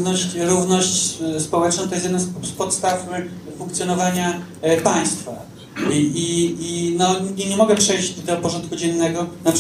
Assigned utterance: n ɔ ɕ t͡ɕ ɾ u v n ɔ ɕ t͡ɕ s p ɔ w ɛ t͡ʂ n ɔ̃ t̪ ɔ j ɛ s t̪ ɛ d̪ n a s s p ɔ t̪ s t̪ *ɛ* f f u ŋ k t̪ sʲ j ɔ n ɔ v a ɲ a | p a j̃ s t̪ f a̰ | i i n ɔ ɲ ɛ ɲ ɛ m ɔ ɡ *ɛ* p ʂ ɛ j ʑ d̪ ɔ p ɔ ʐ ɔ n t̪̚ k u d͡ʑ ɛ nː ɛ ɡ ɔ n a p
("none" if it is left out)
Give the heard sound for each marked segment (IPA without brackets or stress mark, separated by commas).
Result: a, ɛ